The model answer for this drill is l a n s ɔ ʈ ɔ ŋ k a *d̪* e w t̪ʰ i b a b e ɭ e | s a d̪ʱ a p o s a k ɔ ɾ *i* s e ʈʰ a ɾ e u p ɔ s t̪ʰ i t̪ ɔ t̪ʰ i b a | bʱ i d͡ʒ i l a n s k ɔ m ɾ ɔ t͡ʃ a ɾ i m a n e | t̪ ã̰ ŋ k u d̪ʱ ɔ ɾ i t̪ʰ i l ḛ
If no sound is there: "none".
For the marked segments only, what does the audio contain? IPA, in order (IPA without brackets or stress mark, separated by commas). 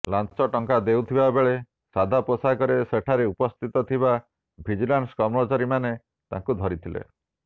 d̪, e